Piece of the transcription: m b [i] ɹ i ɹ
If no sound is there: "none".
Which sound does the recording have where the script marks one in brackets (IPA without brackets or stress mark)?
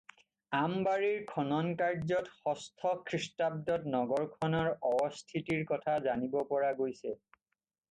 a